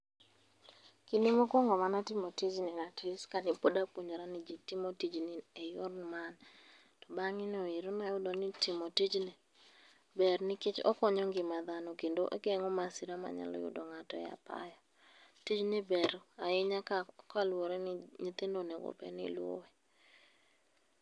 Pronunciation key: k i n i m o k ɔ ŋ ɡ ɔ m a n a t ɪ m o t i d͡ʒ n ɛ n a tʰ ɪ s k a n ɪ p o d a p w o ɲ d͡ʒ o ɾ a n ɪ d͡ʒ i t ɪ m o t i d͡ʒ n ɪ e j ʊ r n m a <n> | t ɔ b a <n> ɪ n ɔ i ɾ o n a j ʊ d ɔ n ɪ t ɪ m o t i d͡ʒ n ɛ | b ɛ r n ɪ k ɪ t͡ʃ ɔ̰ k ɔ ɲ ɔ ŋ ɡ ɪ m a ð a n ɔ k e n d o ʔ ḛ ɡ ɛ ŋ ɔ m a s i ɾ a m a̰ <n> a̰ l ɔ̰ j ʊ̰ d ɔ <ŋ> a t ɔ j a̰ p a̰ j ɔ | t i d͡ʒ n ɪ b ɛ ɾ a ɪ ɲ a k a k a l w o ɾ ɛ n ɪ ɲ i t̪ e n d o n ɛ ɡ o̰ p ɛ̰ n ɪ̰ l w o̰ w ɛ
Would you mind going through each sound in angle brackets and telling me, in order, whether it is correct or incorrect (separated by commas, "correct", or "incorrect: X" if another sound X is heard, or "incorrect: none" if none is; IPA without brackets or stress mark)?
correct, incorrect: ŋ, incorrect: ɲ, correct